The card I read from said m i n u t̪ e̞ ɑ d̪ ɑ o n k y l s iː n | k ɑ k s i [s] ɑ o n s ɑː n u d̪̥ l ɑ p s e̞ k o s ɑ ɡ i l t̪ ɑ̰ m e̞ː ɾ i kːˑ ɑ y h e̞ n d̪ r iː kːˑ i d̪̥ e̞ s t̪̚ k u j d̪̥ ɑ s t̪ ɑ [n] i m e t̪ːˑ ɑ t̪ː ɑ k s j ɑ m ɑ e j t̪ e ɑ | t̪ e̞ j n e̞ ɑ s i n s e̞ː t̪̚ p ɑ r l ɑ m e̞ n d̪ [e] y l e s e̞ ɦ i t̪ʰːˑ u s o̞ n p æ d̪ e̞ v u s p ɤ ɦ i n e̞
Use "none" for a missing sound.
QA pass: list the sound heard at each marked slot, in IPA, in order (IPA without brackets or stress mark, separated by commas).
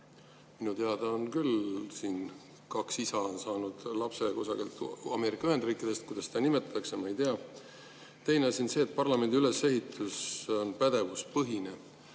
s, n, i